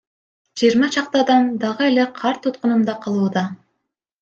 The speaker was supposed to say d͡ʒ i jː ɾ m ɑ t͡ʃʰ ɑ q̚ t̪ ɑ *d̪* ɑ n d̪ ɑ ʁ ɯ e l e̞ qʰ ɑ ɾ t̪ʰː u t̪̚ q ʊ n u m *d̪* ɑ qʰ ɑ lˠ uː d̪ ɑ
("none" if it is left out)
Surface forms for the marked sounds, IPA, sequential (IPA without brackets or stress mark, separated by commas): d̪, d̪